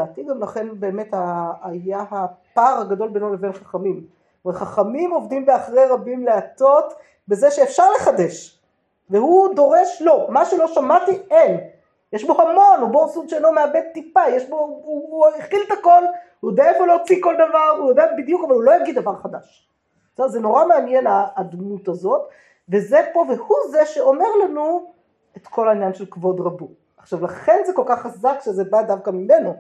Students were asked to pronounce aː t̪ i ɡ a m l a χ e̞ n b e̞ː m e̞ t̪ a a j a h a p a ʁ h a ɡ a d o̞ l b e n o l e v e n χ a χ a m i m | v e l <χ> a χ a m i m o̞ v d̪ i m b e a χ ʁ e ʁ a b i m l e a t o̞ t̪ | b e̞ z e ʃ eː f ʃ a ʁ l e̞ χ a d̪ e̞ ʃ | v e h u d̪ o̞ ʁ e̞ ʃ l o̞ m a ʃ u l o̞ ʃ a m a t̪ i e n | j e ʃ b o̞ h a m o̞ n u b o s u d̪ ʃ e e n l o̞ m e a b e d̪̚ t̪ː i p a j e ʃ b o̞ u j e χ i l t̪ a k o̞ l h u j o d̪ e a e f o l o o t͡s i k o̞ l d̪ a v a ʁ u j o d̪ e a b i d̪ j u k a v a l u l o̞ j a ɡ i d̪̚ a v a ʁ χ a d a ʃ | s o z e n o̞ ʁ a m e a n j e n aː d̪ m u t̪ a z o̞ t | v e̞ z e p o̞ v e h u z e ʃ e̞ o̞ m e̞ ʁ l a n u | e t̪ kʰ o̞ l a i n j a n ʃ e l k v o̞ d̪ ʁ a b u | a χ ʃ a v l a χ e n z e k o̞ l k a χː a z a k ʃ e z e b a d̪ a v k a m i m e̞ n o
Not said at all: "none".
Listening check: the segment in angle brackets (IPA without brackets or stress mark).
χ